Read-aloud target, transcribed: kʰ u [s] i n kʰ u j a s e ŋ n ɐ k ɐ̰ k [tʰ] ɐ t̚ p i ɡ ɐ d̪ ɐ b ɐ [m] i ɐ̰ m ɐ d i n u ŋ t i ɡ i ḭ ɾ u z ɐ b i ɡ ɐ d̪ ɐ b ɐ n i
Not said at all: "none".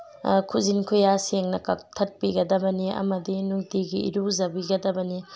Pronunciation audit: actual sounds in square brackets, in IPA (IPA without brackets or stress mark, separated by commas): z, tʰ, n